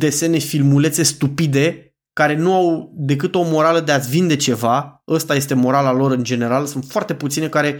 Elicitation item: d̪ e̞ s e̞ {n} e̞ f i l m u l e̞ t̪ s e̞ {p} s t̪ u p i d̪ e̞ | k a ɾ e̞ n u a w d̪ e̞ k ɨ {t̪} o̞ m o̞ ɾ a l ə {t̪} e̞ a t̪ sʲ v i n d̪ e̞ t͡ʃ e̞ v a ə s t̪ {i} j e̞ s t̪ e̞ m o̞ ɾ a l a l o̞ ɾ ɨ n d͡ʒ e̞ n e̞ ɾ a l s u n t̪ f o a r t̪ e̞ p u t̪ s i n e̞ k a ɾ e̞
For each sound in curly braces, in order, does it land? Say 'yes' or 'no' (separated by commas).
yes, no, yes, no, no